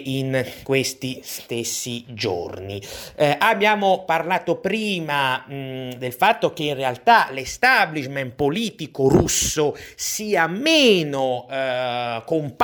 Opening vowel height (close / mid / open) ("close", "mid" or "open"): close